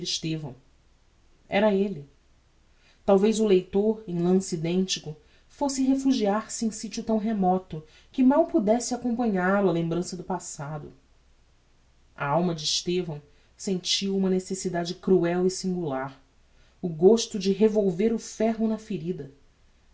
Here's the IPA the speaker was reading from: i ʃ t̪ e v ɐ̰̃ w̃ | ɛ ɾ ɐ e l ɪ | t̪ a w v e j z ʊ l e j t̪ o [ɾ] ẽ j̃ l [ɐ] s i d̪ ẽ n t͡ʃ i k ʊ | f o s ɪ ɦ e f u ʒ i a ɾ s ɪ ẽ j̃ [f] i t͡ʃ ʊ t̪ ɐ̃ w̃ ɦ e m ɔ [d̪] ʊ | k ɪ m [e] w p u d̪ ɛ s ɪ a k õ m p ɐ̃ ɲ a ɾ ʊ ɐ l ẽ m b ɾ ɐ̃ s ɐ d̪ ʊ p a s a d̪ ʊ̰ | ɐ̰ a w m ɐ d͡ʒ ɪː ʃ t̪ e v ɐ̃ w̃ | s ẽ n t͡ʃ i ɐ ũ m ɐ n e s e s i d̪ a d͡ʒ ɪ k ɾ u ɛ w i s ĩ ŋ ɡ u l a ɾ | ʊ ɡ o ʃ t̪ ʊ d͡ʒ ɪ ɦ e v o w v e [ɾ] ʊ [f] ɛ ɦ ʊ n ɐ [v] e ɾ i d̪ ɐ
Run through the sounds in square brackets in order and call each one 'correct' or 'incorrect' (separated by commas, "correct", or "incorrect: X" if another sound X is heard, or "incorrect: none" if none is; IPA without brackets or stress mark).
correct, incorrect: ɐ̃, incorrect: s, incorrect: t̪, incorrect: a, correct, correct, incorrect: f